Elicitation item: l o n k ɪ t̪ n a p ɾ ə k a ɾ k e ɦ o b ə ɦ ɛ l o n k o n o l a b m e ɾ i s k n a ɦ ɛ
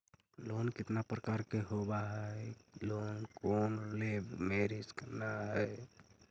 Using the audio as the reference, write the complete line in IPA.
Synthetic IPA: l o n k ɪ t̪ n a p ɾ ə k a ɾ k e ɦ o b a ɦ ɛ l o n k o n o l e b m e ɾ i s k n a ɦ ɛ